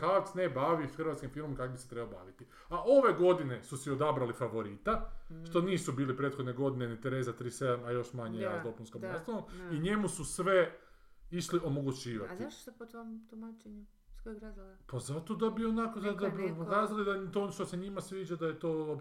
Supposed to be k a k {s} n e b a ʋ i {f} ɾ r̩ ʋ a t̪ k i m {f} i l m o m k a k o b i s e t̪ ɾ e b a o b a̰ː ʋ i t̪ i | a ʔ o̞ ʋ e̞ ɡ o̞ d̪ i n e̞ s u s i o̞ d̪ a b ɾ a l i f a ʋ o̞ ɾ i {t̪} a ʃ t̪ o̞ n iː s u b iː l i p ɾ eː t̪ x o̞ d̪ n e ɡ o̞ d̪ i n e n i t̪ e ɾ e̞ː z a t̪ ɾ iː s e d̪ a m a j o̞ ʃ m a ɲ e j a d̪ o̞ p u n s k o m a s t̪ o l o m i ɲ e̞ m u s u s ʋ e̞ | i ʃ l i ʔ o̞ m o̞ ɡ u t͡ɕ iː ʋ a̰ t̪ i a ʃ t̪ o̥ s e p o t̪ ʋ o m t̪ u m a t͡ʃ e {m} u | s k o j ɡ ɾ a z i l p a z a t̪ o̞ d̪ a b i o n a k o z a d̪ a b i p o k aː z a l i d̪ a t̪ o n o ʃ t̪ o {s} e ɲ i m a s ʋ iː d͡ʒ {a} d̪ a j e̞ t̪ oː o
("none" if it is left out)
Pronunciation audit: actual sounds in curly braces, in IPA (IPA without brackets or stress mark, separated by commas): s, x, f, t̪, ɲ, s, a